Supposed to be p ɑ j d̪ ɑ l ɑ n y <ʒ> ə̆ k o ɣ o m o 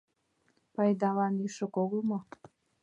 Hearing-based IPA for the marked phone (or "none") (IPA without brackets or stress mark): ʃ